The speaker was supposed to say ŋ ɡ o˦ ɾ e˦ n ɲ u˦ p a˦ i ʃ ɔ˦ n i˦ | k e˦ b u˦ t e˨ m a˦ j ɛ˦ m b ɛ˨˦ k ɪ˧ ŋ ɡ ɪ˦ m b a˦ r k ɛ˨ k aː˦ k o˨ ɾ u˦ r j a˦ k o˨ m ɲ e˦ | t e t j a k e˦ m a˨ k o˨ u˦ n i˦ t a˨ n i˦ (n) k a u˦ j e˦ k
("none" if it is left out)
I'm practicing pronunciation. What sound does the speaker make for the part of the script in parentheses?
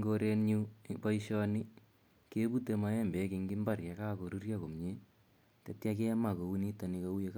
none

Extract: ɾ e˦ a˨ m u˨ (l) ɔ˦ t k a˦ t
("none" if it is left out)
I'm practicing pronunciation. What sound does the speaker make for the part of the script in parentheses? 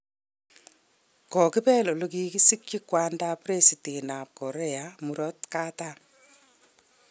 ɾ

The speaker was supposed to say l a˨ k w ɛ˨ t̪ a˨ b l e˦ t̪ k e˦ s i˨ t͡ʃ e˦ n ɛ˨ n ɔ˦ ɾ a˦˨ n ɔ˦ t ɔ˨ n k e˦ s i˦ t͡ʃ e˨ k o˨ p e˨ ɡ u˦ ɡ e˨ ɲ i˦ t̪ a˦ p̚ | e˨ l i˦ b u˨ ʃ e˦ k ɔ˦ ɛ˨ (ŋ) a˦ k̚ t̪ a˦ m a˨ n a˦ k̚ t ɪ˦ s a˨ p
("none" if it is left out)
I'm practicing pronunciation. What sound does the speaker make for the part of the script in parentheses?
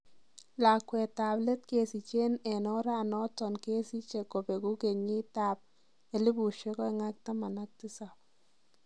ŋ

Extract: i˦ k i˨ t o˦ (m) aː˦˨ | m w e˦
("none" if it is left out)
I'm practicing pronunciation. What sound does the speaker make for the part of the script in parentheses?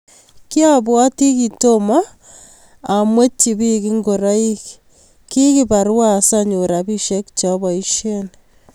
m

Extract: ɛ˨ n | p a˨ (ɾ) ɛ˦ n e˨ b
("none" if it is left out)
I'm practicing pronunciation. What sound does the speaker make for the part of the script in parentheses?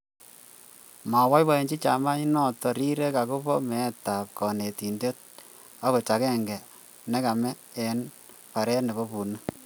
ɾ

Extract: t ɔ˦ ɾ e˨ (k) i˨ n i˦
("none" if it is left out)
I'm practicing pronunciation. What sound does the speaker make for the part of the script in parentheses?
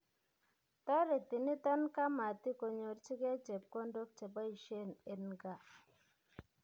t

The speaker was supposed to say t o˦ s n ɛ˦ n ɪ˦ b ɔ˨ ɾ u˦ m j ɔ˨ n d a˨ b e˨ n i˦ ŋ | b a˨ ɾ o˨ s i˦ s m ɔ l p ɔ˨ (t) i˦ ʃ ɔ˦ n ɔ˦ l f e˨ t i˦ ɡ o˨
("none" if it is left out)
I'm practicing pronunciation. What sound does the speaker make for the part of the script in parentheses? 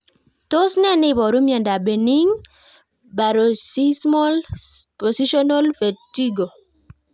s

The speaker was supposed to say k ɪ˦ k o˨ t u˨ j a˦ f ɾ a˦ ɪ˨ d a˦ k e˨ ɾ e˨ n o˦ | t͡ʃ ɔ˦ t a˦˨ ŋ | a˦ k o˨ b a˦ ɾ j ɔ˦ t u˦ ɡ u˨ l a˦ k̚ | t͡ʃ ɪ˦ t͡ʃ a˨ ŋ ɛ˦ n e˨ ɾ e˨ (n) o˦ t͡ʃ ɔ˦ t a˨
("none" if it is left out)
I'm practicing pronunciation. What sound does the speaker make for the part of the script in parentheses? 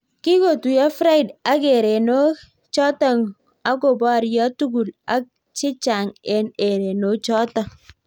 n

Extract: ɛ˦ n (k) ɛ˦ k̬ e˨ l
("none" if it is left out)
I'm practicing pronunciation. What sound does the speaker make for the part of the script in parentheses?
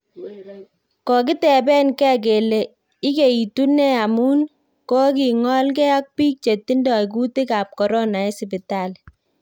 k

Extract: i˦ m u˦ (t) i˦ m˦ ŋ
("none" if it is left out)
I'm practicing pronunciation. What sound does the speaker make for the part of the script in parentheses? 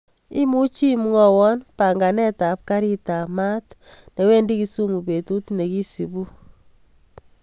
t͡ʃ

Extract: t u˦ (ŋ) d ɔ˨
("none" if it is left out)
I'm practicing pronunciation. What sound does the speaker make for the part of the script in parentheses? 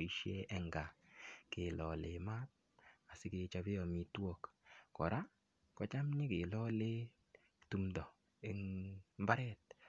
m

